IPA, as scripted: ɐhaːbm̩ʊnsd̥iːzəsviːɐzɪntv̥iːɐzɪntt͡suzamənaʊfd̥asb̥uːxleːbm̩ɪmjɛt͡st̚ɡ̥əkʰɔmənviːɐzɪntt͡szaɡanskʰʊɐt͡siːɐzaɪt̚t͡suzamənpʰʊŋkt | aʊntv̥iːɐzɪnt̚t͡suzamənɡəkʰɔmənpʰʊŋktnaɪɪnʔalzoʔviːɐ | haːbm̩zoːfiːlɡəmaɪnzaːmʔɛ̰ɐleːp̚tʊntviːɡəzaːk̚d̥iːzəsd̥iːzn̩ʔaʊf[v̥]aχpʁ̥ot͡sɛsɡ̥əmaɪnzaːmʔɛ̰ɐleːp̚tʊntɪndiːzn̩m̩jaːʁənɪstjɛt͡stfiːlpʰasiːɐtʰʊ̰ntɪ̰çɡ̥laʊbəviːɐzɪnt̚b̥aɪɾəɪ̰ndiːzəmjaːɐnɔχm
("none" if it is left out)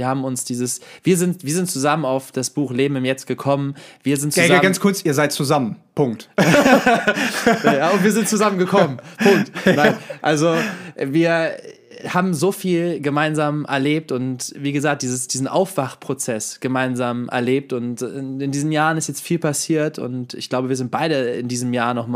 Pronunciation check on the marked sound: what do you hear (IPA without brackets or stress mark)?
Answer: v̥